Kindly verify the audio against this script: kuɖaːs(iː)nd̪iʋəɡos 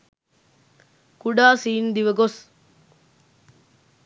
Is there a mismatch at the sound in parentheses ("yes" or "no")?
no